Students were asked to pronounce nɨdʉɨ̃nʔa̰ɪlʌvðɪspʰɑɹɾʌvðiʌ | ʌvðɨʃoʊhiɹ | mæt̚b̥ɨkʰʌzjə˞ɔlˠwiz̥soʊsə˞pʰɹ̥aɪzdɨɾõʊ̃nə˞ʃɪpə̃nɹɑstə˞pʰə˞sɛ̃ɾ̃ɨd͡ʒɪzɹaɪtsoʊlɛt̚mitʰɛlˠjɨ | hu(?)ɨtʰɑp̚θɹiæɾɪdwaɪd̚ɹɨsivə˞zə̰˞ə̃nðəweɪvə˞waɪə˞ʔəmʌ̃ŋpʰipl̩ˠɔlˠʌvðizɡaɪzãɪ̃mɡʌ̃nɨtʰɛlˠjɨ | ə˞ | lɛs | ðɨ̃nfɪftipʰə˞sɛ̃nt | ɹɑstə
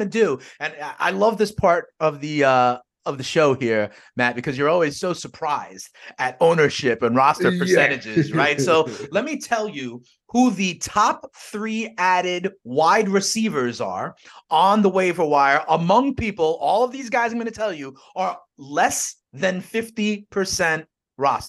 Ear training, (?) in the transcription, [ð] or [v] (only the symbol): ð